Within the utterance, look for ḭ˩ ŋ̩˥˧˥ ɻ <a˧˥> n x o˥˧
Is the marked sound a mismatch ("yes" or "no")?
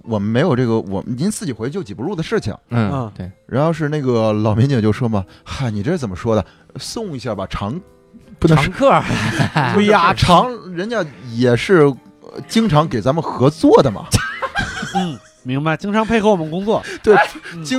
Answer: no